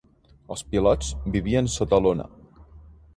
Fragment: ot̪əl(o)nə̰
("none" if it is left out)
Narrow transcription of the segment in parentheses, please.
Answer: o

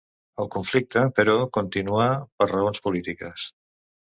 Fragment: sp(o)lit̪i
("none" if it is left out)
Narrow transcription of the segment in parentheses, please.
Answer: u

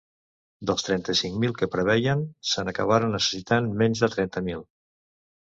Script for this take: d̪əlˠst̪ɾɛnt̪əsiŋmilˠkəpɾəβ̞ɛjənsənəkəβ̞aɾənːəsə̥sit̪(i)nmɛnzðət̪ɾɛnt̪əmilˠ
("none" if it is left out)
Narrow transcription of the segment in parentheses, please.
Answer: a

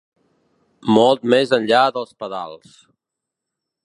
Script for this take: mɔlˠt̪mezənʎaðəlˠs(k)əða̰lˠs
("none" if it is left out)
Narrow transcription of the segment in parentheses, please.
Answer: p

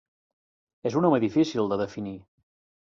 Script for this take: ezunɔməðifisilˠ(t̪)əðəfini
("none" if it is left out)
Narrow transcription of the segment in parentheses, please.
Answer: d̪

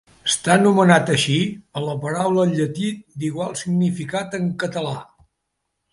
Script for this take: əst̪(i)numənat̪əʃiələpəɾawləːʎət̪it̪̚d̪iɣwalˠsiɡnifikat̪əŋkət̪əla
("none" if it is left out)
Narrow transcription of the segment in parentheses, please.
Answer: a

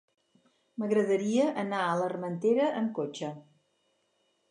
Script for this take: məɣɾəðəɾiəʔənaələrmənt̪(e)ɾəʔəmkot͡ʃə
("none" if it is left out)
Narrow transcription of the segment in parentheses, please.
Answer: e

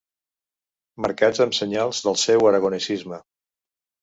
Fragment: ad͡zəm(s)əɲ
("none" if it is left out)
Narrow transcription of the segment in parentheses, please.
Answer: s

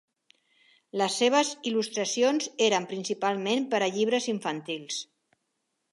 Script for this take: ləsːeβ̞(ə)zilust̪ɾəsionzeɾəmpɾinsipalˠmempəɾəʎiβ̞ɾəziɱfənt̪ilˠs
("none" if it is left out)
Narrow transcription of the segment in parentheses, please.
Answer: ə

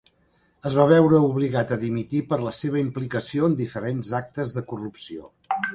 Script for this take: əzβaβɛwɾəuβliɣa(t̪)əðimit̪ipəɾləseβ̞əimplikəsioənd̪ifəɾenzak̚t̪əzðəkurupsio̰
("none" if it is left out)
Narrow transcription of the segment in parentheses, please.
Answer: t̪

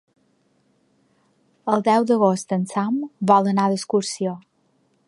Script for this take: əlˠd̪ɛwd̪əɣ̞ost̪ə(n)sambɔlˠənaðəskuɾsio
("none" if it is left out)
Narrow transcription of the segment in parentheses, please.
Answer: n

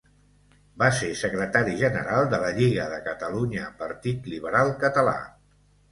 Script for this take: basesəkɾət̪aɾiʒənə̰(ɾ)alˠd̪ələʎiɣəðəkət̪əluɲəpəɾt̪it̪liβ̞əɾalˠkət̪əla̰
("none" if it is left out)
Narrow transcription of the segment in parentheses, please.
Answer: ɾ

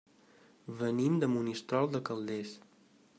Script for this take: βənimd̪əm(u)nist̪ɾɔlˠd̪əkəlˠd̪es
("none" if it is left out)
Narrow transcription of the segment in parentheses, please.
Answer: u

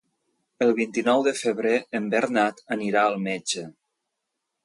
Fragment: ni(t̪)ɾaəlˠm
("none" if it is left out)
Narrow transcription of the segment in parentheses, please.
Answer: none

